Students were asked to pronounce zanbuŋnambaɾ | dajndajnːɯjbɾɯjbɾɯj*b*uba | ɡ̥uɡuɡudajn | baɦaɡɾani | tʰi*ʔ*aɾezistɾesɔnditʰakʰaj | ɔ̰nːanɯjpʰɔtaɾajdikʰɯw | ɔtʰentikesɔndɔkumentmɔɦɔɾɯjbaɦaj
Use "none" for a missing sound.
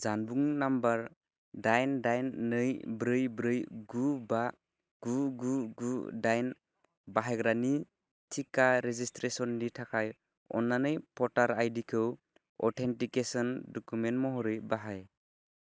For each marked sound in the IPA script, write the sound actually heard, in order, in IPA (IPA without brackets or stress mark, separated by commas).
ɡ, k